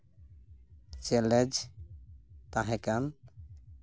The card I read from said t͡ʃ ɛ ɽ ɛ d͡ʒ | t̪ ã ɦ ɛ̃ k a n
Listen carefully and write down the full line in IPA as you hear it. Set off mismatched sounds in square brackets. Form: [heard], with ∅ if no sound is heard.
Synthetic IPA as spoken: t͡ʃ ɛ [l] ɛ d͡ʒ | t̪ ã ɦ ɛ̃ k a n